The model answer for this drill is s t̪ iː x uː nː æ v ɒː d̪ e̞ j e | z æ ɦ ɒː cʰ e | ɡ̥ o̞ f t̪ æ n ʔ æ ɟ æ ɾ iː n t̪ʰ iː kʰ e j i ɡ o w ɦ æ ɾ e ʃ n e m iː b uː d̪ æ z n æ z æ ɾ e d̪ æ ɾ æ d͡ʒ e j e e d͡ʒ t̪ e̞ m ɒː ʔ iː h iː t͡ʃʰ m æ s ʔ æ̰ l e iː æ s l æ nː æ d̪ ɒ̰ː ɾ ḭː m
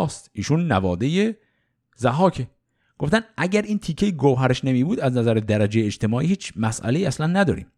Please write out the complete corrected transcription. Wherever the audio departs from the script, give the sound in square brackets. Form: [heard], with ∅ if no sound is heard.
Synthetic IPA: s t̪ iː [ʃ] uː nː æ v ɒː d̪ e̞ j e | z æ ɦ ɒː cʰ e | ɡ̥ o̞ f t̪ æ n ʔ æ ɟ æ ɾ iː n t̪ʰ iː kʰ e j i ɡ o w ɦ æ ɾ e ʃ n e m iː b uː d̪ æ z n æ z æ ɾ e d̪ æ ɾ æ d͡ʒ e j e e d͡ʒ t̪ e̞ m ɒː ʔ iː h iː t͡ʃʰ m æ s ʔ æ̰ l e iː æ s l æ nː æ d̪ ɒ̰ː ɾ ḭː m